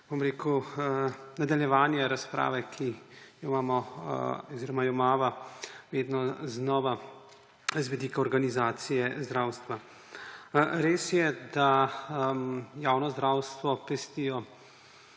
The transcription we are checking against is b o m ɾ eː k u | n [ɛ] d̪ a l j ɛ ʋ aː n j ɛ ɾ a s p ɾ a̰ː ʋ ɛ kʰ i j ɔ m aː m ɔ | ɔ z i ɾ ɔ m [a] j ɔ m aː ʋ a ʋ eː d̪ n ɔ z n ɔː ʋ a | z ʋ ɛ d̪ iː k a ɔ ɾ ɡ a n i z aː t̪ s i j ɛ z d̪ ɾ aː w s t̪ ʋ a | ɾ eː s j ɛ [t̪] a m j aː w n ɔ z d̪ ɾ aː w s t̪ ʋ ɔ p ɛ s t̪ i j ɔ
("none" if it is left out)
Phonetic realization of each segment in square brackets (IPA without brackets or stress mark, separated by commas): a, a, d̪